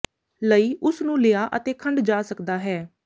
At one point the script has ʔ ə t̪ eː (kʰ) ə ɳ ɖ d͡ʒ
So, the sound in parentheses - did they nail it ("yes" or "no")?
yes